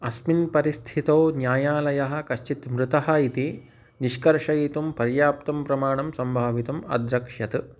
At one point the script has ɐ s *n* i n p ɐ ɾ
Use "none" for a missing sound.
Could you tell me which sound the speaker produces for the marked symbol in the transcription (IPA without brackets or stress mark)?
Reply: m